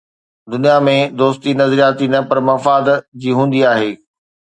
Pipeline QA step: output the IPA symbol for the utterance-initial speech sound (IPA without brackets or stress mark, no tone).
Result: d̪